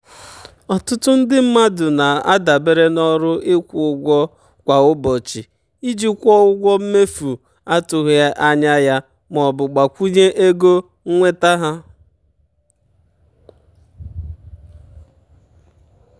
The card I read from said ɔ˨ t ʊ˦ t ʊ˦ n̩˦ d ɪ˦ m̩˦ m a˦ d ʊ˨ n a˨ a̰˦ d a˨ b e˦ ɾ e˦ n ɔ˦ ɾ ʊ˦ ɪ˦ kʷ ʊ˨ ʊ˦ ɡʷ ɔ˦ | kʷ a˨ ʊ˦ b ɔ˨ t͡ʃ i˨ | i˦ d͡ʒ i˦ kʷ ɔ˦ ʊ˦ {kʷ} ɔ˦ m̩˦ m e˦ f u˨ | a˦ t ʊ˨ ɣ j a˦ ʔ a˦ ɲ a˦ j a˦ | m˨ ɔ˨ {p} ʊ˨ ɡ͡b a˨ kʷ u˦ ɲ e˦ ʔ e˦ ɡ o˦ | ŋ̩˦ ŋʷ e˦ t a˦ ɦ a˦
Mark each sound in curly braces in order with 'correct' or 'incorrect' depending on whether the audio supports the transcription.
incorrect: ɡʷ, incorrect: b

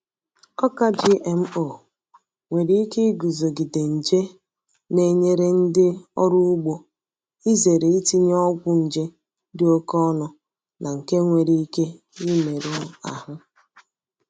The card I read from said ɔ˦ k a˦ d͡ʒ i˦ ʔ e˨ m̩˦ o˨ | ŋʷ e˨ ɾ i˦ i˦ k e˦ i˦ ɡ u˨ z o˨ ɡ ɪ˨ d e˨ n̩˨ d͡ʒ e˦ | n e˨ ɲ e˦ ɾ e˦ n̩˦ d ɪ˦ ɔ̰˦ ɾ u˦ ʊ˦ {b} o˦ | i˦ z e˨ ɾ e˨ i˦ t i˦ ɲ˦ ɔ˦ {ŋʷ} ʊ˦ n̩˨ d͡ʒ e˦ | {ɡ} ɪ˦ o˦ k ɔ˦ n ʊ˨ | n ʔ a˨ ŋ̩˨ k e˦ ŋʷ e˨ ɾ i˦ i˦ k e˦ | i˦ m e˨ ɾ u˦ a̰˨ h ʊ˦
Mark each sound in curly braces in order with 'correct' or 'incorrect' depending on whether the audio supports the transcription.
incorrect: ɡ͡b, incorrect: ɡʷ, incorrect: d

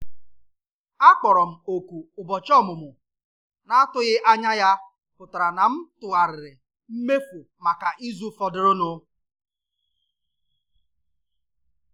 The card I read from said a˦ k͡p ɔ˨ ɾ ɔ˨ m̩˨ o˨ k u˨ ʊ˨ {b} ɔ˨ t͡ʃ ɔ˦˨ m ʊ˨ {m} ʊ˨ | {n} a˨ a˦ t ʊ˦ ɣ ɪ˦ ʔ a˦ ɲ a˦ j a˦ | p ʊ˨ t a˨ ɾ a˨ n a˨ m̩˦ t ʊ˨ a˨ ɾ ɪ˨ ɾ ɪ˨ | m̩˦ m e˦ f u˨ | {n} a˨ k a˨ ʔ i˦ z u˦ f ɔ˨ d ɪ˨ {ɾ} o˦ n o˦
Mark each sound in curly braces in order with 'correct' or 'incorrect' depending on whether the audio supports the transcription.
correct, correct, correct, incorrect: m, correct

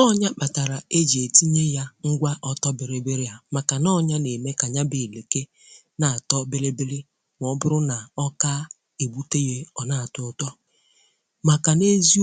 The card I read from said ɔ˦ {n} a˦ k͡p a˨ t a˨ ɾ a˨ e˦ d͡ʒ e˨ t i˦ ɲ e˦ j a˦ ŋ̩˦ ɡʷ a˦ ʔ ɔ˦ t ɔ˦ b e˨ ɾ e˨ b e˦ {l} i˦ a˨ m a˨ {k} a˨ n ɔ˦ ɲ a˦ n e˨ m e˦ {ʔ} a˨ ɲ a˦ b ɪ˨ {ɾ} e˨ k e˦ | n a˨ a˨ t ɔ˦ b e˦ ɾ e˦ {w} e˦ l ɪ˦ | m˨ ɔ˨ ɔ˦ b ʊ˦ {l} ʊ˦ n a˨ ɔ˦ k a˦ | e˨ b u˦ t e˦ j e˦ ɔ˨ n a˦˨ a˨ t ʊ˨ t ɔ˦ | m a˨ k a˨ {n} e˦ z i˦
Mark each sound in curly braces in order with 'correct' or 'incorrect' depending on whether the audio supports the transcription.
incorrect: ɲ, incorrect: ɾ, correct, incorrect: k, incorrect: l, incorrect: b, incorrect: ɾ, correct

